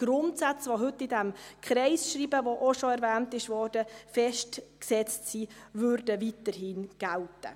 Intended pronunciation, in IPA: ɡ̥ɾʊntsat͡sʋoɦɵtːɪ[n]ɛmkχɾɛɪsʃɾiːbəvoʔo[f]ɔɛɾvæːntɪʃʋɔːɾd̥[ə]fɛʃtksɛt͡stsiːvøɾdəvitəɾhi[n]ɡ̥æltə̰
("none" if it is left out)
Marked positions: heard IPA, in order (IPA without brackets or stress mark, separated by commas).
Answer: d, ʃ, ə, n